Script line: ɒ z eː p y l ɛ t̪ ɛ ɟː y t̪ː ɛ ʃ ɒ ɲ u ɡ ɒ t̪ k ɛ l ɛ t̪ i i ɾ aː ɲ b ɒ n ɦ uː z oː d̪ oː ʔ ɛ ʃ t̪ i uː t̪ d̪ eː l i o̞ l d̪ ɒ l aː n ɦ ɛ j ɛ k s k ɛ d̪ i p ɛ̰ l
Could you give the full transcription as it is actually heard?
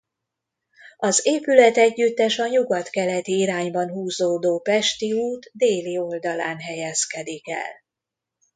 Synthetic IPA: ɒ z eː p y l ɛ t̪ ɛ ɟː y t̪ː ɛ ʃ ɒ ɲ u ɡ ɒ t̪ k ɛ l ɛ t̪ i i ɾ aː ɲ b ɒ n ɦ uː z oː d̪ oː p ɛ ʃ t̪ i uː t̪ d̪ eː l i o̞ l d̪ ɒ l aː n ɦ ɛ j ɛ s k ɛ d̪ i k ɛ̰ l